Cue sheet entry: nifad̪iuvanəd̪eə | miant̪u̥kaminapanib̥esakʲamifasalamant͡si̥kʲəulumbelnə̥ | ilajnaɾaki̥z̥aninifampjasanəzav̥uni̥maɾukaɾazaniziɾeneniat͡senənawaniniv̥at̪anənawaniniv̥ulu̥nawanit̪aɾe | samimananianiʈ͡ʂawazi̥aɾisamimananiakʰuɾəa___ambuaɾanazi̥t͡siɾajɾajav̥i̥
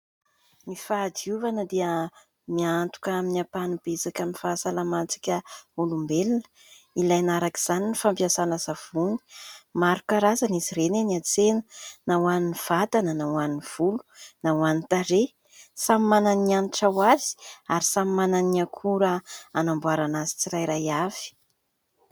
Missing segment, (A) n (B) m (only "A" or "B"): A